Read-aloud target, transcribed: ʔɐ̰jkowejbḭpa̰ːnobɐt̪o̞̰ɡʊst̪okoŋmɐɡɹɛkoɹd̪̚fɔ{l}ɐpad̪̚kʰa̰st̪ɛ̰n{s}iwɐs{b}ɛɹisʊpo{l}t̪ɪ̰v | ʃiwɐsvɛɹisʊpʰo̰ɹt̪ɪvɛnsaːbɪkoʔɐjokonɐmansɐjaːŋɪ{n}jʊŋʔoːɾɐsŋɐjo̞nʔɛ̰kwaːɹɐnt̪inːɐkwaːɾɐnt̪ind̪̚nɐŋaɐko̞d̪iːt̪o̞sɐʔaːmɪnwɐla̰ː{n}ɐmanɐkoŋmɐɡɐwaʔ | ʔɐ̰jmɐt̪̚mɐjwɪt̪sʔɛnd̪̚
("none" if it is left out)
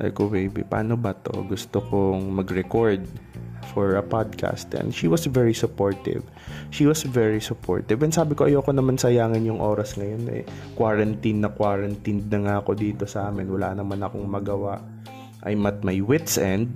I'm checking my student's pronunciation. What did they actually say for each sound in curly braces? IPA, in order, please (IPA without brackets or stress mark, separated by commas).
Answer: ɹ, ʃ, v, ɹ, n, n